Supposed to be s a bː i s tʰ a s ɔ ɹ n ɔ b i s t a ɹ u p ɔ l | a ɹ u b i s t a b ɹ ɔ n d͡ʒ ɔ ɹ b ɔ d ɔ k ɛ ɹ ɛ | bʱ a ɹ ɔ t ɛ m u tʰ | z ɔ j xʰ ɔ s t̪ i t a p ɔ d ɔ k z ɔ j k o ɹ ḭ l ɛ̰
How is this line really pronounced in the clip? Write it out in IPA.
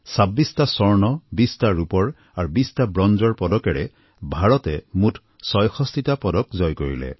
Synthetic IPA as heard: s a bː i s t a s ɔ ɹ n ɔ b i s t a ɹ u p ɔ ɹ | a ɹ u b i s t a b ɹ ɔ n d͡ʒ ɔ ɹ p ɔ d ɔ k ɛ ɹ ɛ | bʱ a ɹ ɔ t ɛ m u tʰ | s ɔ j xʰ ɔ s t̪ i t a p ɔ d ɔ k z ɔ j k o ɹ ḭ l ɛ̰